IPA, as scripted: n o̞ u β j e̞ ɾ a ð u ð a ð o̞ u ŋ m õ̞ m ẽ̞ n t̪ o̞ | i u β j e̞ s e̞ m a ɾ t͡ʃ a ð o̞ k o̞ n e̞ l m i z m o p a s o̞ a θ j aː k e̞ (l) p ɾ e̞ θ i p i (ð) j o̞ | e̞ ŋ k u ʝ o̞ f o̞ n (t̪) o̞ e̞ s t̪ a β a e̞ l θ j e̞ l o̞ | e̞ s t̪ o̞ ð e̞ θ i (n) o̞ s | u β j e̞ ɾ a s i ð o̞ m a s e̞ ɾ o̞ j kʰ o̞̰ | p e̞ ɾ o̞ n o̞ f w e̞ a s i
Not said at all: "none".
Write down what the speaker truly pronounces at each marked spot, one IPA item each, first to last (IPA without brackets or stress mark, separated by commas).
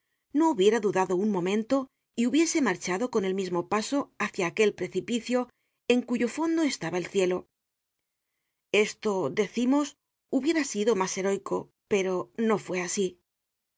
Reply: l, θ, d̪, m